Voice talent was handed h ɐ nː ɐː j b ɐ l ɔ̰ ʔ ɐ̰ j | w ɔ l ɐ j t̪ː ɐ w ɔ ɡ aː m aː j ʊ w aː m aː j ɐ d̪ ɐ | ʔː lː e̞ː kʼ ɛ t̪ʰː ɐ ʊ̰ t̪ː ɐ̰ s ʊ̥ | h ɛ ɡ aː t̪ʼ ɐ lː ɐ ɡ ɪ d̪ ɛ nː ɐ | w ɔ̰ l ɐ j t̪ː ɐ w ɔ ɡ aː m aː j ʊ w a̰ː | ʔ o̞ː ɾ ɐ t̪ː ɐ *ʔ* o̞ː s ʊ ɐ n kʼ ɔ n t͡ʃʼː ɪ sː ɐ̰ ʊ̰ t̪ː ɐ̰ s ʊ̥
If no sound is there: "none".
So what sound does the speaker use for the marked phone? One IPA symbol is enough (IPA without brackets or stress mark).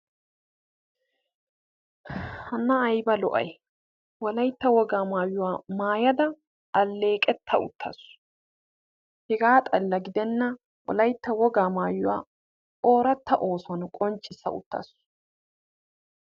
ʔ